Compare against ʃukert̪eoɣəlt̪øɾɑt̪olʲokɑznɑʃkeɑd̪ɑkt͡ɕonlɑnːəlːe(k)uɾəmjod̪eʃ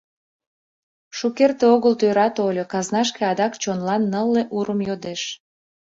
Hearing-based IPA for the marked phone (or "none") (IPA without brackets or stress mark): ʔ